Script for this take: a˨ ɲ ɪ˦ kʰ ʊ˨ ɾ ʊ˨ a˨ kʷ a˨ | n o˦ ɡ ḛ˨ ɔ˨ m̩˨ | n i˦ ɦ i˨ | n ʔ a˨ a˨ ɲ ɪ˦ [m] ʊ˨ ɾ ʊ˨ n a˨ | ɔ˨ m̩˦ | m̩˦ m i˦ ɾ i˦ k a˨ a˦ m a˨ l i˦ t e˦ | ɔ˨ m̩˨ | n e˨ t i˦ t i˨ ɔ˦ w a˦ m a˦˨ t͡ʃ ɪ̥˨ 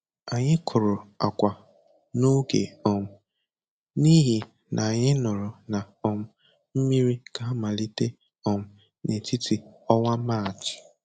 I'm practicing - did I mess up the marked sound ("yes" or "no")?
yes